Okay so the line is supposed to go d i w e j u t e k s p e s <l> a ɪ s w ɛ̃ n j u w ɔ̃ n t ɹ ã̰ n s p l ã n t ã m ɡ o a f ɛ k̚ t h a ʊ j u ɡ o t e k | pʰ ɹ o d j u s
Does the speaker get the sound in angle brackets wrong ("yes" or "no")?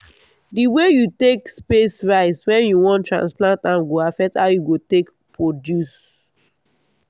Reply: yes